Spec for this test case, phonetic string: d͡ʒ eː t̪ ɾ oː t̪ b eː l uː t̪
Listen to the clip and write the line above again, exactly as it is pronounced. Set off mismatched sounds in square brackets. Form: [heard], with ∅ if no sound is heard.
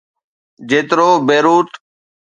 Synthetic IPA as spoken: d͡ʒ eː t̪ ɾ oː [∅] b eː [ɾ] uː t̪